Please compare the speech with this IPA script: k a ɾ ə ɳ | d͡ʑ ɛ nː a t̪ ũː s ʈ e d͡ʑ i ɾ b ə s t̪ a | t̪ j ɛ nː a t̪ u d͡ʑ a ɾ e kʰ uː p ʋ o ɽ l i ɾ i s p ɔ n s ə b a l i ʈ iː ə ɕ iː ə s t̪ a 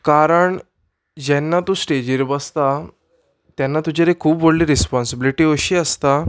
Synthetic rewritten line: k a ɾ ə ɳ | d͡ʑ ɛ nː a t̪ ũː s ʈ e d͡ʑ i ɾ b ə s t̪ a | t̪ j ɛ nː a t̪ u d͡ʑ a ɾ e kʰ uː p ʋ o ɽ l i ɾ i s p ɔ n s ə b i l i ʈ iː ə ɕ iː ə s t̪ a